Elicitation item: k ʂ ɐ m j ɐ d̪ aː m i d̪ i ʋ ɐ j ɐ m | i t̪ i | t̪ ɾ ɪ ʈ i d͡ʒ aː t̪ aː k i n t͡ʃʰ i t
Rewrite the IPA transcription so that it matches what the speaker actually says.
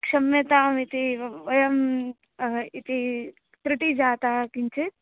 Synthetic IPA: k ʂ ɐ m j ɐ t̪ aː m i t̪ i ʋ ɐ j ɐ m | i t̪ i | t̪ ɾ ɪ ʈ i d͡ʒ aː t̪ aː k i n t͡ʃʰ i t